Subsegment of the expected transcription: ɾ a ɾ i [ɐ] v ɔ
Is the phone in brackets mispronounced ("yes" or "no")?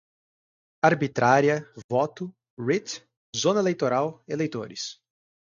no